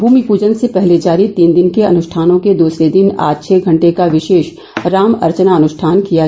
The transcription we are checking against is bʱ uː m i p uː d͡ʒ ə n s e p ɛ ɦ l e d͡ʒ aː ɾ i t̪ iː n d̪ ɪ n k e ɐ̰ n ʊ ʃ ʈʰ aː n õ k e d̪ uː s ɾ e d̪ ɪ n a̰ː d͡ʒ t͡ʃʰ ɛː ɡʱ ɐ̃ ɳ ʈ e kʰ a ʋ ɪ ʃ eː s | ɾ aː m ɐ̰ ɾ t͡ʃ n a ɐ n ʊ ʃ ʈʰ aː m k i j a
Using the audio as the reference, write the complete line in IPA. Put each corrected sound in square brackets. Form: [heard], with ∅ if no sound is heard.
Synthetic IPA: bʱ uː m i p uː d͡ʒ ə n s e p ɛ ɦ l e d͡ʒ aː ɾ i t̪ iː n d̪ ɪ n k e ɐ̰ n ʊ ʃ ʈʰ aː n õ k e d̪ uː s ɾ e d̪ ɪ n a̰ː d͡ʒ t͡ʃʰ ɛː ɡʱ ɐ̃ ɳ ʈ e [k] a ʋ ɪ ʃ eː [ʃ] | ɾ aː m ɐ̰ ɾ t͡ʃ n a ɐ n ʊ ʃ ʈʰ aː [n] k i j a